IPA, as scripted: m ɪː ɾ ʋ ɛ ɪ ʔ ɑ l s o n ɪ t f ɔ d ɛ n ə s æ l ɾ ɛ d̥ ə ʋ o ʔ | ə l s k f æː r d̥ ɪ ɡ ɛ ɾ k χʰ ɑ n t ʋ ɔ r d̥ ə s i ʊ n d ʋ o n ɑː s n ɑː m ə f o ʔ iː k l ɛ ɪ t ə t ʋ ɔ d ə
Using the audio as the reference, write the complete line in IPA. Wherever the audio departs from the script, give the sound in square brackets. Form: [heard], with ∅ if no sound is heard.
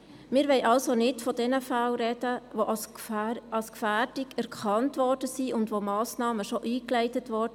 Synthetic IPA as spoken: m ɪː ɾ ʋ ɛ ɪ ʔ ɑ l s o n ɪ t f ɔ d ɛ n ə [f] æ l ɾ ɛ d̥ ə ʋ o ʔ | [ɑ] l s k f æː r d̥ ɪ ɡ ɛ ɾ k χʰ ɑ n t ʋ ɔ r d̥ ə s i ʊ n d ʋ o [m] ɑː s n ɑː m ə [ʃ] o ʔ iː k l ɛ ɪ t ə t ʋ ɔ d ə